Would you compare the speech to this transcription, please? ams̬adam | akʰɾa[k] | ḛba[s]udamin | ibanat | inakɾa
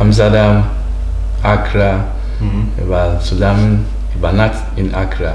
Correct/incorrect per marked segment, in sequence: incorrect: none, correct

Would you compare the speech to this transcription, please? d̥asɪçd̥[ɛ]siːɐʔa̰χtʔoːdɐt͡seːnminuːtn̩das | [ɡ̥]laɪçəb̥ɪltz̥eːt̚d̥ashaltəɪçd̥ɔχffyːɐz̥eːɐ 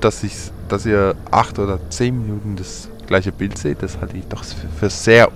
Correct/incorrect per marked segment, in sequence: incorrect: a, correct

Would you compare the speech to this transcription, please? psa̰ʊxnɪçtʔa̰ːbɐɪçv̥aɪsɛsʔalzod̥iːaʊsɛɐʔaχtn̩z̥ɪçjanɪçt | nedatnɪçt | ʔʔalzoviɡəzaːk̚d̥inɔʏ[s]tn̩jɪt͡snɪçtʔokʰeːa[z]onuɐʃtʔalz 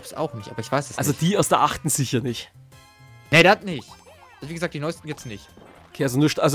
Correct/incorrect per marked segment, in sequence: correct, correct

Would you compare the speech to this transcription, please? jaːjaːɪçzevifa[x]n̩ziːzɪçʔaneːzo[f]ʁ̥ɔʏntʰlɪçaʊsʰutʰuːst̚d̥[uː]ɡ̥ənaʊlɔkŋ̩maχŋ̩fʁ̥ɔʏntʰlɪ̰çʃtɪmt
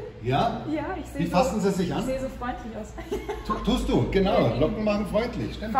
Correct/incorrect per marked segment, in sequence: incorrect: s, correct, correct

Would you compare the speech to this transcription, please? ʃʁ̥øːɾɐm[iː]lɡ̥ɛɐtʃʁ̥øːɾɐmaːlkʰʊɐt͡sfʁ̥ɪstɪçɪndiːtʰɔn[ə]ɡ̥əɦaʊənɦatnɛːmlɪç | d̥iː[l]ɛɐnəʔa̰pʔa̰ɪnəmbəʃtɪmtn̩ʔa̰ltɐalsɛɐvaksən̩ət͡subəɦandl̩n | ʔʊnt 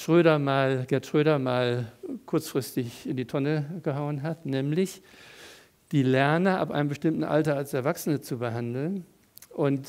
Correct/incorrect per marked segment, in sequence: incorrect: aː, correct, correct

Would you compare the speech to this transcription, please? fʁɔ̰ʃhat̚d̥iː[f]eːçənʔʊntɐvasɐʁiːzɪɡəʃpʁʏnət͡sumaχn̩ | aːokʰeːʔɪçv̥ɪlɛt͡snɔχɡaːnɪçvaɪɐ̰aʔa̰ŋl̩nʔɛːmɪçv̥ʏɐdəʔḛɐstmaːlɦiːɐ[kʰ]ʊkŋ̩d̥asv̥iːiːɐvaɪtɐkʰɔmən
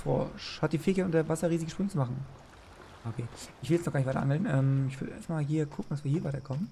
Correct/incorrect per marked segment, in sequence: correct, correct

